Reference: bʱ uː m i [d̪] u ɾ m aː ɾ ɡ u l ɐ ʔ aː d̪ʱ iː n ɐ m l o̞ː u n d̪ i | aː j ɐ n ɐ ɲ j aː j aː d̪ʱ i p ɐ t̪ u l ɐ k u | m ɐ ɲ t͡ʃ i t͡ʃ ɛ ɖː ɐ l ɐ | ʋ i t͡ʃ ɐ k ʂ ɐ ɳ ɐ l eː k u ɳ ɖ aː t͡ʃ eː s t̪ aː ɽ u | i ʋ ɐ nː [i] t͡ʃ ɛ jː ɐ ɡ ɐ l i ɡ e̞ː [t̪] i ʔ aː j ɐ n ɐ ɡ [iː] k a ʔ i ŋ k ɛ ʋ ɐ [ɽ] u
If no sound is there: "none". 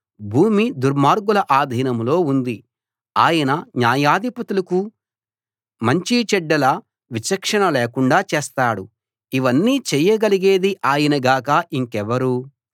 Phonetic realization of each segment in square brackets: d̪, iː, d̪, aː, ɾ

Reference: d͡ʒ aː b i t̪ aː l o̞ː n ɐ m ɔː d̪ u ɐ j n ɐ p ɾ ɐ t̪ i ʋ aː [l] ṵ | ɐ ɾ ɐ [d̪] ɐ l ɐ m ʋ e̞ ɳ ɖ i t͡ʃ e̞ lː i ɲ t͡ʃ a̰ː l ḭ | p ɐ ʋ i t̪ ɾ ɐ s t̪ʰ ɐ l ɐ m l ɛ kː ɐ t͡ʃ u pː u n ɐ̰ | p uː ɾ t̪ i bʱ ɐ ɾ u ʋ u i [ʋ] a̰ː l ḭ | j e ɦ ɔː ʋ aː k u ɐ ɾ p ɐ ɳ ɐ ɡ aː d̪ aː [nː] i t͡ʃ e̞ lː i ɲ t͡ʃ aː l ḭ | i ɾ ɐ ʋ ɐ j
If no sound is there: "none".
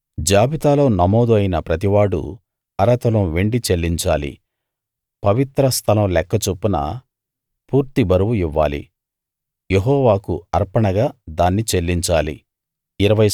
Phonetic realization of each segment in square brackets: ɽ, t̪, ʋː, nː

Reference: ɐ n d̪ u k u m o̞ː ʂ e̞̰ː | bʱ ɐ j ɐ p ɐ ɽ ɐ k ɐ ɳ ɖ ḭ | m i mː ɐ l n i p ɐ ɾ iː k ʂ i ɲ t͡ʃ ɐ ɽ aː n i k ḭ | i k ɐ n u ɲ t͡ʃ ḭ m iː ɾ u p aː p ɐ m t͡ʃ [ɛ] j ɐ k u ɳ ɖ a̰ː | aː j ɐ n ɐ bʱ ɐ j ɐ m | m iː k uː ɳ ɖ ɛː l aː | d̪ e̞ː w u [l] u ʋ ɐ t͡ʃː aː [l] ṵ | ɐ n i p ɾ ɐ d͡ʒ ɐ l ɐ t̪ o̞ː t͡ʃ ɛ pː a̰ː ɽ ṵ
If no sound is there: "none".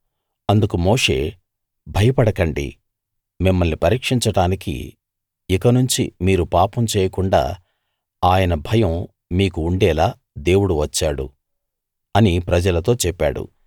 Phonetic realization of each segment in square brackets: ɛː, ɽ, ɽ

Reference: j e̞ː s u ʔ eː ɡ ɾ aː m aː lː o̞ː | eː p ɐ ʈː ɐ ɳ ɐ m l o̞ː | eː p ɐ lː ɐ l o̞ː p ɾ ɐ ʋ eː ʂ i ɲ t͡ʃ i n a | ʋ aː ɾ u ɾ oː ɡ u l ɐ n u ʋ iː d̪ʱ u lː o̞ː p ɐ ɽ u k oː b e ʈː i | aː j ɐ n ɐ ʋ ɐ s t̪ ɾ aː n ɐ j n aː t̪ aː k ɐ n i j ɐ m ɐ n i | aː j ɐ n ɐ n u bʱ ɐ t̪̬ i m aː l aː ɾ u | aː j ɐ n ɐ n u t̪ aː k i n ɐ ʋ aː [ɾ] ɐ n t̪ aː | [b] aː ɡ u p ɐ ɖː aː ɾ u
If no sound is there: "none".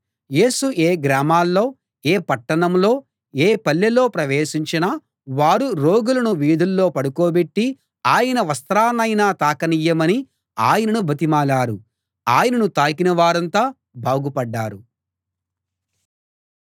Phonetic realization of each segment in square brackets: ɾ, b

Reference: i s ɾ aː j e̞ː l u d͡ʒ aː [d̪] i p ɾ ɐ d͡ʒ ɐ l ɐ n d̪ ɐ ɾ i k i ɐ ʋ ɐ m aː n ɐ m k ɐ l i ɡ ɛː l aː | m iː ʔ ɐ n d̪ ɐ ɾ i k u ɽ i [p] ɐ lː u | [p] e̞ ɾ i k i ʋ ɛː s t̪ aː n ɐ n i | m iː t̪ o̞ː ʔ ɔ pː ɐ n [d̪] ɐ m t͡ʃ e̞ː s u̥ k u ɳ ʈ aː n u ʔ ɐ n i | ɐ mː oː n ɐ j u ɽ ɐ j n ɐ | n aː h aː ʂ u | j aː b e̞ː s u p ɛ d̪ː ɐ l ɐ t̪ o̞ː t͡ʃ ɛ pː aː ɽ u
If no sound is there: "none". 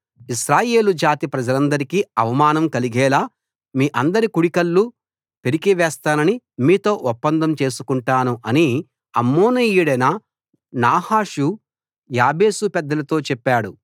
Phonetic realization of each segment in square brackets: t̪, k, p, d̪

